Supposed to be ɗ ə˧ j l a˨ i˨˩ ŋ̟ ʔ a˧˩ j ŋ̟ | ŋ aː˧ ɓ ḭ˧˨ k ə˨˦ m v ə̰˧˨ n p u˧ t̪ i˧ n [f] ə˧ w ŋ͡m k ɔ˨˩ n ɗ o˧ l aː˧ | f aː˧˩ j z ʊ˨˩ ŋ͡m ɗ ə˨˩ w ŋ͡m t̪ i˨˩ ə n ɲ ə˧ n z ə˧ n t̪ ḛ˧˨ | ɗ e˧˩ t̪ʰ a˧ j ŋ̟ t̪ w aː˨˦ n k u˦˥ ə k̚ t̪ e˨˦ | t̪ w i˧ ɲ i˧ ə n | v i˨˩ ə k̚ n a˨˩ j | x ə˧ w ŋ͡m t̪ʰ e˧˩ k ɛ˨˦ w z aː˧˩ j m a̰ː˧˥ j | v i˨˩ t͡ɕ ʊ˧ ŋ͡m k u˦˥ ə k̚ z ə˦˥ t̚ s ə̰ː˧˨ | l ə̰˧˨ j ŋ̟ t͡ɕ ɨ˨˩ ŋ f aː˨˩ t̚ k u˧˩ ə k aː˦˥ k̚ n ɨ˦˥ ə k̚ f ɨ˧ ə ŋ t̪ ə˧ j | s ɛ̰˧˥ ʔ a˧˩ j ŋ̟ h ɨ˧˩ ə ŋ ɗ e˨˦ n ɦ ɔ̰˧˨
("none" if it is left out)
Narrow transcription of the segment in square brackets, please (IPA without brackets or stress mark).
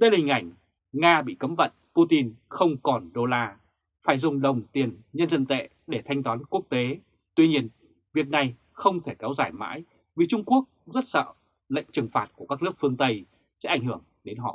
x